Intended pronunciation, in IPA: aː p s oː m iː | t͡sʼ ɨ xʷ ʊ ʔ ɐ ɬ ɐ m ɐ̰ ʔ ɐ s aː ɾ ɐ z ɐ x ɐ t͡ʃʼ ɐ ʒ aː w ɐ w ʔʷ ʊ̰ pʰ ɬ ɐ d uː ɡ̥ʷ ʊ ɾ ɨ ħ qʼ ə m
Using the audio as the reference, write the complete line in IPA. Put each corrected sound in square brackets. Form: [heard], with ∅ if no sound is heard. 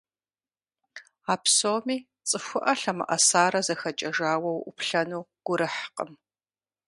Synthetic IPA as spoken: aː p s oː m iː | t͡sʼ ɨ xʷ ʊ ʔ ɐ ɬ ɐ m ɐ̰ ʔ ɐ s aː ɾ ɐ z ɐ x ɐ t͡ʃʼ ɐ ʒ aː w ɐ w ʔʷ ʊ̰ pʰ ɬ ɐ [n] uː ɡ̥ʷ ʊ ɾ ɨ ħ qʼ ə m